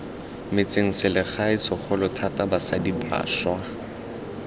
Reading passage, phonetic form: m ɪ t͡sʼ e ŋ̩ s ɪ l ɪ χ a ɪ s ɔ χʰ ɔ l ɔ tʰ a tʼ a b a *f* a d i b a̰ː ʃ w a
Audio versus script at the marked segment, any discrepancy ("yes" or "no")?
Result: yes